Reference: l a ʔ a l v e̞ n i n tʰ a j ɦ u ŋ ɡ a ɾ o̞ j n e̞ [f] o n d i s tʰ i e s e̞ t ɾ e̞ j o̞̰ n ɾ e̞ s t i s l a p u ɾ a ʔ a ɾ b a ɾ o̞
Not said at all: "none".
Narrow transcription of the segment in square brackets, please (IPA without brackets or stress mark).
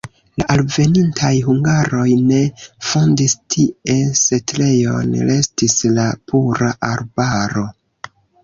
f